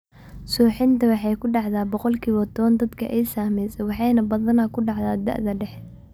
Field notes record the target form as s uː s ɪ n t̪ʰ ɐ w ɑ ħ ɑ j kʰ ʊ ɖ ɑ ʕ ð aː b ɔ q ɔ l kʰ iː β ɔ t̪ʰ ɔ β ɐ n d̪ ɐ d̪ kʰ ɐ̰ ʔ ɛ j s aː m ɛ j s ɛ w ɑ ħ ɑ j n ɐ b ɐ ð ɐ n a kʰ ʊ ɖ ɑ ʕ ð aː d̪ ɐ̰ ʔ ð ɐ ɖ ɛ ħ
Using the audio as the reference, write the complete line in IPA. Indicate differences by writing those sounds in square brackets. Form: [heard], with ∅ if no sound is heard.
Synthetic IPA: s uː [ħ] ɪ n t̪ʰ ɐ w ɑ ħ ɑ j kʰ ʊ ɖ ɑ ʕ ð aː b ɔ q ɔ l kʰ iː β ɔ t̪ʰ ɔ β ɐ n d̪ ɐ d̪ kʰ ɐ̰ ʔ ɛ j s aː m ɛ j s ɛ w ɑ ħ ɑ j n ɐ b ɐ ð ɐ n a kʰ ʊ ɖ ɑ ʕ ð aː d̪ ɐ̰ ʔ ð ɐ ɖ ɛ ħ

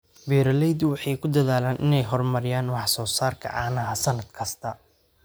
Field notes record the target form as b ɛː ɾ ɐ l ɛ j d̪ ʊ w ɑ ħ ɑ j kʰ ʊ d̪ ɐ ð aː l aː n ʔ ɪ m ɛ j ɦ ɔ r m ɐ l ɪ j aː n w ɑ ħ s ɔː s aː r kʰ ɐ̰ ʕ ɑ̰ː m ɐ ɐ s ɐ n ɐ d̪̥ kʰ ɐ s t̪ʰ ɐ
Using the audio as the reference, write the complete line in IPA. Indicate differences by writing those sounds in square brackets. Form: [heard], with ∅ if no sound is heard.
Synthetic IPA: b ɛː ɾ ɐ l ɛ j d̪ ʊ w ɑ ħ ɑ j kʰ ʊ d̪ ɐ ð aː l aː n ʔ ɪ [n] ɛ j ɦ ɔ r m ɐ [ɾ] ɪ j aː n w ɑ ħ s ɔː s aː r kʰ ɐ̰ ʕ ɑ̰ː [n] ɐ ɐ s ɐ n ɐ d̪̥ kʰ ɐ s t̪ʰ ɐ

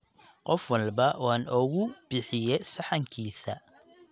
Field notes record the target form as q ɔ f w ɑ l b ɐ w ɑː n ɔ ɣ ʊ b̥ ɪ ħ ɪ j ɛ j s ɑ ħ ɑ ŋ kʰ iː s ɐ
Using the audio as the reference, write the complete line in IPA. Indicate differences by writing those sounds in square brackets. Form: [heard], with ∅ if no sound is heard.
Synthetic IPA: q ɔ f w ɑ l b ɐ w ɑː n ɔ ɣ ʊ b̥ ɪ ħ ɪ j ɛ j s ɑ ħ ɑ ŋ kʰ iː s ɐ

